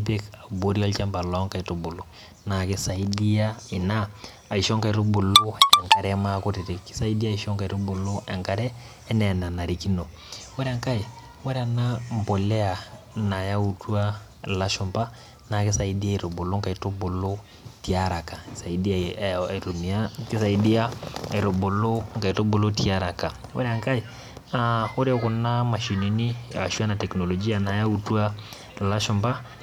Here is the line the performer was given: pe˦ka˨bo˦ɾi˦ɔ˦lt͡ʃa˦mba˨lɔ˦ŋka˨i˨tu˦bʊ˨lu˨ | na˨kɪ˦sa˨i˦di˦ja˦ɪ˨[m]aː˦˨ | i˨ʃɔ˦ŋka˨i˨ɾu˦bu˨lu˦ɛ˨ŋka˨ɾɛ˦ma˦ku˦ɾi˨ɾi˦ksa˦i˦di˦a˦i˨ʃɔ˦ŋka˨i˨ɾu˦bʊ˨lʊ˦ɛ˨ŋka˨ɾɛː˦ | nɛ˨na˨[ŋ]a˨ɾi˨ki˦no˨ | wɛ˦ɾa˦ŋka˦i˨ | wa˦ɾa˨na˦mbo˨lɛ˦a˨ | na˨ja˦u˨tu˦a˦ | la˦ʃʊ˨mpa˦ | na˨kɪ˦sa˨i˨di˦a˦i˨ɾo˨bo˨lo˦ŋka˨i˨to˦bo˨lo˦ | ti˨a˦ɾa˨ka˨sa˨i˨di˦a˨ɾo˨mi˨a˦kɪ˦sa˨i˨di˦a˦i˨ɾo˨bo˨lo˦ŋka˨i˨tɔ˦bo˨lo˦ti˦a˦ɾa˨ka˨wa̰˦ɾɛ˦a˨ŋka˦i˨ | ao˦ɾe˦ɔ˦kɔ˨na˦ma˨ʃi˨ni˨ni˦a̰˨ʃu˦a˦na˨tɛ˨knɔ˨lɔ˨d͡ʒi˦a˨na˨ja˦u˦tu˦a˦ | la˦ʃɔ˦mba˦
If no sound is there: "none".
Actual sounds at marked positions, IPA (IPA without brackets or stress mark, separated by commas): n, n